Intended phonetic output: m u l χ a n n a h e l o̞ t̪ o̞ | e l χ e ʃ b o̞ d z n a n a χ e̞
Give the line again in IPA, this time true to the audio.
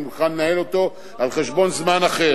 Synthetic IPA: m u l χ a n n a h e l o̞ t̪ o̞ | a l χ e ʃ b o̞ n z m a n a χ e̞